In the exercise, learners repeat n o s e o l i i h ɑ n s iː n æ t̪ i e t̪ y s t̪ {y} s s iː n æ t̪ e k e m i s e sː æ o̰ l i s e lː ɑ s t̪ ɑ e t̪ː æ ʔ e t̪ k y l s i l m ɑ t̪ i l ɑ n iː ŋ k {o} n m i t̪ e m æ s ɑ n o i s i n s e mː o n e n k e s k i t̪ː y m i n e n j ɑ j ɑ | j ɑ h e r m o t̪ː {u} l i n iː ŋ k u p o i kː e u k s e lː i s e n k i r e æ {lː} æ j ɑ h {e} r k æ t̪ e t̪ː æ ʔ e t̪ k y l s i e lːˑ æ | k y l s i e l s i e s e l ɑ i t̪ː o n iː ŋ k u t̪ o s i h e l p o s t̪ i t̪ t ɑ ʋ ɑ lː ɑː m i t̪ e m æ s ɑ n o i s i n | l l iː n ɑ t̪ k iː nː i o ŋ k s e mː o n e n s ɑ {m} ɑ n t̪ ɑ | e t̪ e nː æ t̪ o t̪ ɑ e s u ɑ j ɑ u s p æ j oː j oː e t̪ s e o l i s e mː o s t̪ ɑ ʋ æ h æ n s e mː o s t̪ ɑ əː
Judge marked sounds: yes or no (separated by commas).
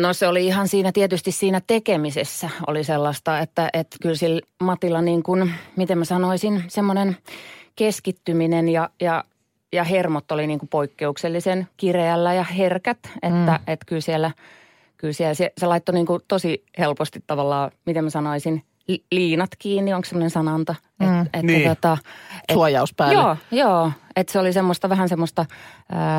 no, no, no, yes, yes, no